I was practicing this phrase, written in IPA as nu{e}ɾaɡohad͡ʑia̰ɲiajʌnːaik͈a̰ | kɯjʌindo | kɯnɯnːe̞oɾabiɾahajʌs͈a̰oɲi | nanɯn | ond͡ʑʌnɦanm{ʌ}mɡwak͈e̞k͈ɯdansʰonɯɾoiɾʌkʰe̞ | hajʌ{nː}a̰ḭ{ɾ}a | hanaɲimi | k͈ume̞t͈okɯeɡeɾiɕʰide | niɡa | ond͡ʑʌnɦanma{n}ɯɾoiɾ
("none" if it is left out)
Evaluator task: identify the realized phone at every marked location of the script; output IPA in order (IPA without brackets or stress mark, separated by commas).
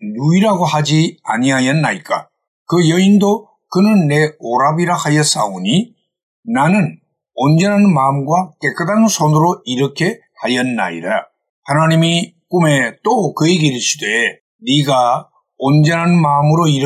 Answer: i, a, nː, ɾ, m